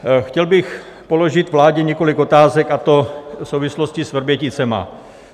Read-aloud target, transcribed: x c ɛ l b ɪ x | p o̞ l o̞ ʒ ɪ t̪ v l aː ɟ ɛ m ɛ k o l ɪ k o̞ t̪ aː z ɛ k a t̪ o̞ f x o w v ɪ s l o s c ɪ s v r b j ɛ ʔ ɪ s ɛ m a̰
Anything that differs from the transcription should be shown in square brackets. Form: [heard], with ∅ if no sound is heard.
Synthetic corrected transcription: x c ɛ l b ɪ x | p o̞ l o̞ ʒ ɪ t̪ v l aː ɟ ɛ [ɲ] ɛ k o l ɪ k o̞ t̪ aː z ɛ k a t̪ o̞ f [s] o w v ɪ s l o s c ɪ s v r b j ɛ [c] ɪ [t͡s] ɛ m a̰